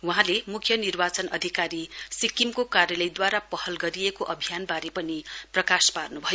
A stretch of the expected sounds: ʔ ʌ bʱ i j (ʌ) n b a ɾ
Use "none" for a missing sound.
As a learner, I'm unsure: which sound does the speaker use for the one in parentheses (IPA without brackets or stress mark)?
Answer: a